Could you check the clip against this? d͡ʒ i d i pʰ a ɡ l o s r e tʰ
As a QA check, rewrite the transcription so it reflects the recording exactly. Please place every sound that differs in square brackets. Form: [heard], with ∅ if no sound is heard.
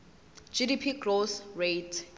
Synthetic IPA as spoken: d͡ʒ i d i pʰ [i] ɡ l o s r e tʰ